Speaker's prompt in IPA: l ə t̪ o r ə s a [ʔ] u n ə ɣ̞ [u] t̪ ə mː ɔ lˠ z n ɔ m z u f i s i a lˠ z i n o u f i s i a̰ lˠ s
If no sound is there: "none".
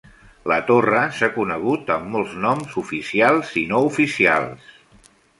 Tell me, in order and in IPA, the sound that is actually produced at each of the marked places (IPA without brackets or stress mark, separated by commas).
k, u